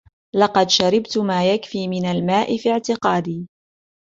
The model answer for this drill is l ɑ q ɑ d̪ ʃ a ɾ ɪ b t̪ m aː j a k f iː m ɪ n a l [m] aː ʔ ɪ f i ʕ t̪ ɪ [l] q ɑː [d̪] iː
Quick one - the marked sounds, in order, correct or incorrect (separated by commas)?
correct, incorrect, correct